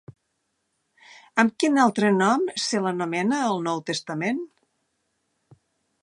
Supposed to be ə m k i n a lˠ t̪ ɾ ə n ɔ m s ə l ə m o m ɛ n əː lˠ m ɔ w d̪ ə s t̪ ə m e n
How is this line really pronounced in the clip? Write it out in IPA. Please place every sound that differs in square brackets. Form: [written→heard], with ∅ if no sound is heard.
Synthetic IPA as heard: ə m k i n a lˠ t̪ ɾ ə n ɔ m s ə l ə [m→n] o m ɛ n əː lˠ [m→n] ɔ w [d̪→t̪] ə s t̪ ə m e n